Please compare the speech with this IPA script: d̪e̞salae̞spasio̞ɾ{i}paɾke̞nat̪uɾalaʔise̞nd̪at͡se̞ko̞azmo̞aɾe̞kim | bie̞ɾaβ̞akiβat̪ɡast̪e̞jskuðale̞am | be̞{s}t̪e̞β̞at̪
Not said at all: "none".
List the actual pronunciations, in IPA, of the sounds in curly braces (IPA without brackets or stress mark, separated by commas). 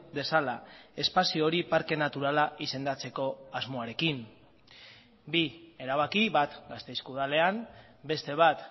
i, s